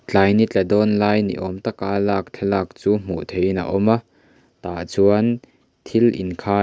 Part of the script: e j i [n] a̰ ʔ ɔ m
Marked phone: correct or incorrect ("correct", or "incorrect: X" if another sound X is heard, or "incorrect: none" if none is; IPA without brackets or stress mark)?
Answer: correct